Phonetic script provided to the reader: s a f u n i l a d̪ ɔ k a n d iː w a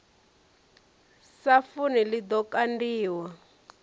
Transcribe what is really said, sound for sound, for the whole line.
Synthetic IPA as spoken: s a f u n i l i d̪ ɔ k a n d iː w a